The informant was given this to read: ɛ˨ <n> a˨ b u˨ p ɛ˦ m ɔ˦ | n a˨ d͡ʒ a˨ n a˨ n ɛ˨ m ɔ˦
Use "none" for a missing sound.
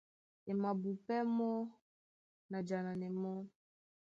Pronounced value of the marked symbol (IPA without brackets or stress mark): m